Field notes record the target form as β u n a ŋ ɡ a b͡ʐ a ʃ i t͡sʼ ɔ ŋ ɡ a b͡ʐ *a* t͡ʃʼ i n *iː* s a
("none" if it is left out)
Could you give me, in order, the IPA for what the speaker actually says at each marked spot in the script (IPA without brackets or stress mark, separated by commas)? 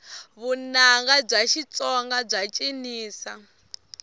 a, iː